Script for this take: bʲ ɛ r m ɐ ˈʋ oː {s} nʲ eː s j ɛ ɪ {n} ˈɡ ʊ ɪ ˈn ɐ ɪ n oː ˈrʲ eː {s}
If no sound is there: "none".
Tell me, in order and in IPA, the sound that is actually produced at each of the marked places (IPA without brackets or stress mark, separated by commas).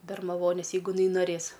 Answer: none, none, s